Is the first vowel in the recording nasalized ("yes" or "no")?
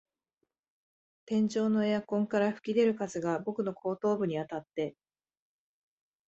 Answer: yes